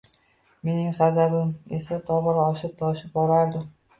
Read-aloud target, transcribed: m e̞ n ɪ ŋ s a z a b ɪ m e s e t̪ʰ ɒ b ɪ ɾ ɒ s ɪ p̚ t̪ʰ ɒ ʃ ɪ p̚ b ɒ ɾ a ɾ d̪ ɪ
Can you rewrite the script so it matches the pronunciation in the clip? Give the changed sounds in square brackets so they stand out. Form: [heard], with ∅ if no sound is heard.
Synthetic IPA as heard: m e̞ n ɪ ŋ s a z a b ɪ m e s [a] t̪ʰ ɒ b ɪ ɾ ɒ [ʃ] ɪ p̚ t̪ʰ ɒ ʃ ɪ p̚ b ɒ ɾ a ɾ d̪ ɪ

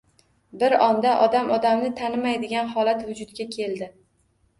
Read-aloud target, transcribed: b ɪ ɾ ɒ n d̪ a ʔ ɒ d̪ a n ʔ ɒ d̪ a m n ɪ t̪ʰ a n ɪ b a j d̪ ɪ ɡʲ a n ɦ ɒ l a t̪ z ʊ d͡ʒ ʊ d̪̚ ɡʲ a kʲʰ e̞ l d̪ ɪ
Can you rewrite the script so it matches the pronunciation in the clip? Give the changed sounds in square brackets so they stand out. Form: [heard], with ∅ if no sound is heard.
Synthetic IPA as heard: b ɪ ɾ ɒ n d̪ a ʔ ɒ d̪ a [m] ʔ ɒ d̪ a m n ɪ t̪ʰ a n ɪ [m] a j d̪ ɪ ɡʲ a n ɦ ɒ l a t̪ [v] ʊ d͡ʒ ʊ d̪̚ ɡʲ a kʲʰ e̞ l d̪ ɪ

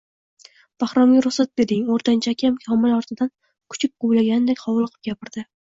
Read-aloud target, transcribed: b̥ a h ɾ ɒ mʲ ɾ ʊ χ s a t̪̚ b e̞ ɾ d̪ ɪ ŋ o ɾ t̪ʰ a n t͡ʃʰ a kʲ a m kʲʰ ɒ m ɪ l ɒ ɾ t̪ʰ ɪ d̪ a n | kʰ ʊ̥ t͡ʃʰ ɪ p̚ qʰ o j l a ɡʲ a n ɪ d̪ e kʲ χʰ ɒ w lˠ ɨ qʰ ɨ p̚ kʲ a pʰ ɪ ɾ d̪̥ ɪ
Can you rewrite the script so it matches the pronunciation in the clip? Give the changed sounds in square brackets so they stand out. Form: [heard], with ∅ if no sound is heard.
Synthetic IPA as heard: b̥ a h ɾ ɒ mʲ ɾ ʊ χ s a t̪̚ b e̞ ɾ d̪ ɪ ŋ o ɾ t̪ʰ a n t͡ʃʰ a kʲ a m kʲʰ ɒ m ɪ l ɒ ɾ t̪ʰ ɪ d̪ a n | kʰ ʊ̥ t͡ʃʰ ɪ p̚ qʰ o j l a ɡʲ a n ɪ d̪ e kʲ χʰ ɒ w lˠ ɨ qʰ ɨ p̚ [ɡʲ] a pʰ ɪ ɾ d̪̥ ɪ

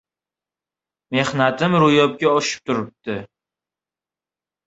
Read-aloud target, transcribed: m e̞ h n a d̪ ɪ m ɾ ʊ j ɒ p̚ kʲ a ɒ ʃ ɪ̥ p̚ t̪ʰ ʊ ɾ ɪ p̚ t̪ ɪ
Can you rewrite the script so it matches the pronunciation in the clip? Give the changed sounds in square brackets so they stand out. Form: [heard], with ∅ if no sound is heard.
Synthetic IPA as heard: m e̞ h n a [t̪] ɪ m ɾ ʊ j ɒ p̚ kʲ a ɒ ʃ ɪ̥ p̚ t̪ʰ ʊ ɾ ɪ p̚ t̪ ɪ

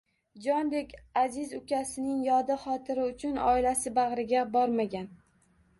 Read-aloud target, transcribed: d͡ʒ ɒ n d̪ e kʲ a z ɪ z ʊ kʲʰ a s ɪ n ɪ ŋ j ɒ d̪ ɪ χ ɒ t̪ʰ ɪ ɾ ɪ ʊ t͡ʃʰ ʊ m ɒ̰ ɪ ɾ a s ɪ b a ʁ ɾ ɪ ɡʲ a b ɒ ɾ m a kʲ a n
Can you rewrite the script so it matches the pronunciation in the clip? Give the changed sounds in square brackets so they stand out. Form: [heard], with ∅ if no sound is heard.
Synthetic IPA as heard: d͡ʒ ɒ n d̪ e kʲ a z ɪ z ʊ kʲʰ a s ɪ n ɪ ŋ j ɒ d̪ ɪ χ ɒ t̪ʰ ɪ ɾ ɪ ʊ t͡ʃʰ ʊ [n] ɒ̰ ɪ [l] a s ɪ b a ʁ ɾ ɪ ɡʲ a b ɒ ɾ m a [ɡʲ] a n

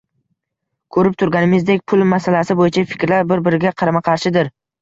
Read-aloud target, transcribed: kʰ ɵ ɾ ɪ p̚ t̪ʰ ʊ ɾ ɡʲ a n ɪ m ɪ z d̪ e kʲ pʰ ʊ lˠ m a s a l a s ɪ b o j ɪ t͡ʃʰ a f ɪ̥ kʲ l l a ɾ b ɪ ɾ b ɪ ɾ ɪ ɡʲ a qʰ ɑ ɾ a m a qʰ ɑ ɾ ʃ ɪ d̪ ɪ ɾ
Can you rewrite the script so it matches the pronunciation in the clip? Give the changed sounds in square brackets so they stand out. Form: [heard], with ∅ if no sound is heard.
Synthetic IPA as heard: kʰ ɵ ɾ ɪ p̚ t̪ʰ ʊ ɾ ɡʲ a n ɪ m ɪ z d̪ e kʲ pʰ ʊ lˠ m a s a l a s ɪ b o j ɪ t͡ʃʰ a f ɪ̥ kʲ [ɾ] l a ɾ b ɪ ɾ b ɪ ɾ ɪ ɡʲ a qʰ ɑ ɾ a m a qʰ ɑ ɾ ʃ ɪ d̪ ɪ ɾ

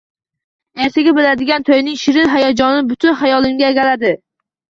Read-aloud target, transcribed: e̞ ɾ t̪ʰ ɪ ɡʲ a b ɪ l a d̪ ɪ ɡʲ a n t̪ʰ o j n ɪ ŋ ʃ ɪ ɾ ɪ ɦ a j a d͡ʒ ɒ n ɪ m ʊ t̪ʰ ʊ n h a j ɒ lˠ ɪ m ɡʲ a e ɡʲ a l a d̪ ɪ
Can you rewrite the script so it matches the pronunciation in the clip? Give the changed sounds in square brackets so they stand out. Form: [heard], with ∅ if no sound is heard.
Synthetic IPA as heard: e̞ ɾ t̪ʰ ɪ ɡʲ a b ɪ l a d̪ ɪ ɡʲ a n t̪ʰ o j n ɪ ŋ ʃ ɪ ɾ ɪ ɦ a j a d͡ʒ ɒ n ɪ [b] ʊ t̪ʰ ʊ n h a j ɒ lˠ ɪ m ɡʲ a e ɡʲ a l a d̪ ɪ

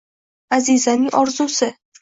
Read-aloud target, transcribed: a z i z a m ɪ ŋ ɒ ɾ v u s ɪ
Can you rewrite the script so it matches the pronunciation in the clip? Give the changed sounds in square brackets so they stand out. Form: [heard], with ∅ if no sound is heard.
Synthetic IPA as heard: a z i z a [n] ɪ ŋ ɒ ɾ [z] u s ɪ

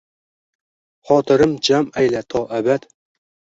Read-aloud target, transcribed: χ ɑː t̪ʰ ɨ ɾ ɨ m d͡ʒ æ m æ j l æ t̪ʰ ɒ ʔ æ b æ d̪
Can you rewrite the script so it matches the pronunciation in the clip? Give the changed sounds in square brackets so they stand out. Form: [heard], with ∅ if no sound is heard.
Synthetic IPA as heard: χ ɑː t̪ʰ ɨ ɾ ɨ m d͡ʒ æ m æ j l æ t̪ʰ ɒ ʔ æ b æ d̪

